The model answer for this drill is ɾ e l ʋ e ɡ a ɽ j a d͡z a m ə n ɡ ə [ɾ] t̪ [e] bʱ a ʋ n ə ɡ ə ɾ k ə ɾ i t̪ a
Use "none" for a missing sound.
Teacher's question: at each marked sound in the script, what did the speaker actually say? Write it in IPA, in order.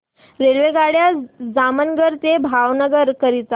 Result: ɾ, e

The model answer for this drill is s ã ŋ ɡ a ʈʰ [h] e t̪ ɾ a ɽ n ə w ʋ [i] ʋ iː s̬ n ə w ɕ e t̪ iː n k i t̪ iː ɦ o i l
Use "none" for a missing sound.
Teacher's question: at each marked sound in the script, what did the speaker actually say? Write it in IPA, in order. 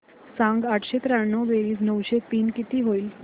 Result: ɕ, e

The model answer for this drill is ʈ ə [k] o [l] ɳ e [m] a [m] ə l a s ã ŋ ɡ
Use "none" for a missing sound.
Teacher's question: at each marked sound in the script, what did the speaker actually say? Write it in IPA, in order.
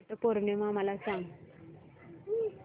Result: p, ɾ, m, m

